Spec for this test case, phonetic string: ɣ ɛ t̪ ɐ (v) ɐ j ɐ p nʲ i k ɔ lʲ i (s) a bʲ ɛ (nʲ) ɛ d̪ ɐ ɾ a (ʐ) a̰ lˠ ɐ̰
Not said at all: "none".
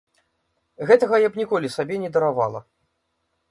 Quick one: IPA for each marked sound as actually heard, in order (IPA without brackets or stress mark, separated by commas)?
ɣ, s, nʲ, v